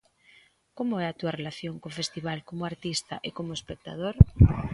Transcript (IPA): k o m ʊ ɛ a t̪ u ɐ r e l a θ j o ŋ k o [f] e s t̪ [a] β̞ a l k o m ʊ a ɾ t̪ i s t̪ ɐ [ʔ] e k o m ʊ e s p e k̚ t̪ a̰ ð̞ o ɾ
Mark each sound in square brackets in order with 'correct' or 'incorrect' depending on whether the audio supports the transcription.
correct, incorrect, correct

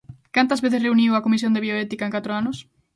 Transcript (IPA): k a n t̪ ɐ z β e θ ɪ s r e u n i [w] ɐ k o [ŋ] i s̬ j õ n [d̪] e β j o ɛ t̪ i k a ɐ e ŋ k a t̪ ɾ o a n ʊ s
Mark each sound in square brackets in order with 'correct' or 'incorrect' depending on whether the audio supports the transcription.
correct, incorrect, correct

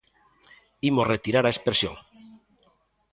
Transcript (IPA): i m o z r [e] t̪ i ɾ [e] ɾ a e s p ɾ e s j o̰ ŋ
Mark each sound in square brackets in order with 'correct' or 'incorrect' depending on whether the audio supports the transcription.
correct, incorrect

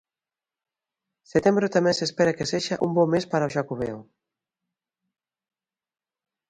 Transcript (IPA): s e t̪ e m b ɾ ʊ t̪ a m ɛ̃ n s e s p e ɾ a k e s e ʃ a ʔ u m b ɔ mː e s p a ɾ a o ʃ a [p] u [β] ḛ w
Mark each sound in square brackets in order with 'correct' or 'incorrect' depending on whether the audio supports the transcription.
incorrect, correct

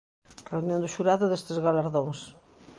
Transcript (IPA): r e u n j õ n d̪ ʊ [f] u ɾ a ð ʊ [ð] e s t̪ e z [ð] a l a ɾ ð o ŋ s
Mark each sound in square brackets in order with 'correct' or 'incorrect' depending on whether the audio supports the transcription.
incorrect, correct, incorrect

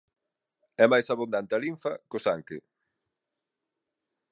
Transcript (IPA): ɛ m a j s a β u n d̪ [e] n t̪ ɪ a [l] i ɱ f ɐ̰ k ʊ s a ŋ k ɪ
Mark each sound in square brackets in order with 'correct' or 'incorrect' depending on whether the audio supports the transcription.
incorrect, correct

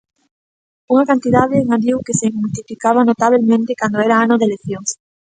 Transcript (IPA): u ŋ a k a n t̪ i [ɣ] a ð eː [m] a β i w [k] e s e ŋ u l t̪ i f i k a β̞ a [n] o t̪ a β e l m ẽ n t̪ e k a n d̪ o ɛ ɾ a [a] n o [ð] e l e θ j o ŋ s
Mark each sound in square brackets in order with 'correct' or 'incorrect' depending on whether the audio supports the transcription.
incorrect, incorrect, correct, correct, correct, correct

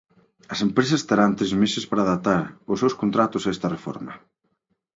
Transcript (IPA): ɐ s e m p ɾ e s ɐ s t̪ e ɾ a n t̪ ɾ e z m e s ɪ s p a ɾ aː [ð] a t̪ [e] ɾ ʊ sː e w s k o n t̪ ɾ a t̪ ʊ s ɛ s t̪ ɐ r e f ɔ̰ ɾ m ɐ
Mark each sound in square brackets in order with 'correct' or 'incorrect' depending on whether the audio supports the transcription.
correct, incorrect

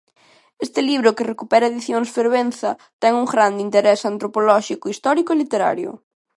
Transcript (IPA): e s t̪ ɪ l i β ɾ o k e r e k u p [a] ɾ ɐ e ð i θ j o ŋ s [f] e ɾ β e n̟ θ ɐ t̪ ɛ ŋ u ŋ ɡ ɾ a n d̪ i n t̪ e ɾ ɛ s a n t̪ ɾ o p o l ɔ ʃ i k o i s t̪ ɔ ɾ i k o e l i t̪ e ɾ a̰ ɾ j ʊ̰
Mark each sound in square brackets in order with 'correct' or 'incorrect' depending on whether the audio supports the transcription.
incorrect, correct

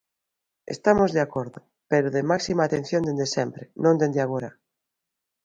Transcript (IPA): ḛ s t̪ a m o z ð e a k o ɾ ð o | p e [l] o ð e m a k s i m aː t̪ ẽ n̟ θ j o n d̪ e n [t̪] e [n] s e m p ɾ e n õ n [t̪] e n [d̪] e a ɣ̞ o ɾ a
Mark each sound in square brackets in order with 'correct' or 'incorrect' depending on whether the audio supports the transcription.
incorrect, incorrect, incorrect, incorrect, correct

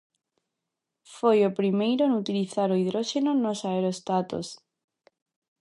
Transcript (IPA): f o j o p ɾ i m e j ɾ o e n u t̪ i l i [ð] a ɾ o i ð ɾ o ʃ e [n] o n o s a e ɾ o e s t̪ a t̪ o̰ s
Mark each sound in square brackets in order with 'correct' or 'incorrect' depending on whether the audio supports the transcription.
incorrect, correct

